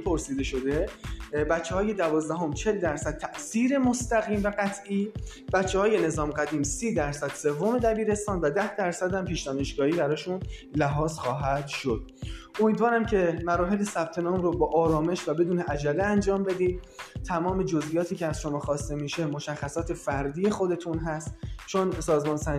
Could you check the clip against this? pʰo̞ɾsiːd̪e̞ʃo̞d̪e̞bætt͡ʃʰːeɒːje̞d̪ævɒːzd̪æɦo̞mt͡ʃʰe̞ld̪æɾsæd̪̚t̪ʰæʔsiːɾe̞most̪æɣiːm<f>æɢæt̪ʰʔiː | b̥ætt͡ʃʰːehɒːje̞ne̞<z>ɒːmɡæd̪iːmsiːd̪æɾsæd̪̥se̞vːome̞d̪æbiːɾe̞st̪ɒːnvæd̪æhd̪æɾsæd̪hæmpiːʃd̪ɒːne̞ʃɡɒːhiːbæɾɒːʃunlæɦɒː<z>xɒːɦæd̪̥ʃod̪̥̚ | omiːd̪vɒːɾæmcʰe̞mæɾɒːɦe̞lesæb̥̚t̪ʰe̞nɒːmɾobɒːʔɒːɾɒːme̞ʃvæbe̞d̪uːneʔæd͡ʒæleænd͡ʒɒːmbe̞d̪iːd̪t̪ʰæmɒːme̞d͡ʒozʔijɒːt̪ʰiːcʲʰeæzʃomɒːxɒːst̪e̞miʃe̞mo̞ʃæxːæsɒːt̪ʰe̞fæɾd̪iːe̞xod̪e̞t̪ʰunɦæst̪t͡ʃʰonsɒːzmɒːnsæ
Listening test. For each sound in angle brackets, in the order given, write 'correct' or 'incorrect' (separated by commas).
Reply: incorrect, correct, correct